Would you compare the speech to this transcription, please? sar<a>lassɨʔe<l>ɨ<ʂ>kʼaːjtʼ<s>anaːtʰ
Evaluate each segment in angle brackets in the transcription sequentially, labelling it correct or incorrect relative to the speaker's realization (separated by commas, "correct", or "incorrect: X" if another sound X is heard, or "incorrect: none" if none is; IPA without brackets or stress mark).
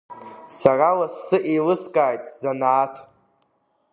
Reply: correct, correct, incorrect: s, incorrect: z